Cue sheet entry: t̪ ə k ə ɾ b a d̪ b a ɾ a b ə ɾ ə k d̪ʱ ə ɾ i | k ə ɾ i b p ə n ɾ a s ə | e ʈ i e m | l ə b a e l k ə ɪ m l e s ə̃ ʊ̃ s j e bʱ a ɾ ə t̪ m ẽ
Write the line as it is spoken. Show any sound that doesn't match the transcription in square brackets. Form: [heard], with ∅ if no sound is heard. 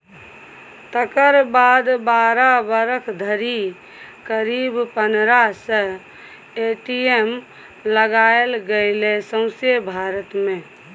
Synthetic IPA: t̪ ə k ə ɾ b a d̪ b a ɾ a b ə ɾ ə [kʰ] d̪ʱ ə ɾ i | k ə ɾ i b p ə n ɾ a s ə | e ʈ i e m | l ə [ɡ] a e l [ɡ] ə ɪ [∅] l e s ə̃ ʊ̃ s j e bʱ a ɾ ə t̪ m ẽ